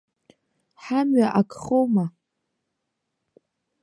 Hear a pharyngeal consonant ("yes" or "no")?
yes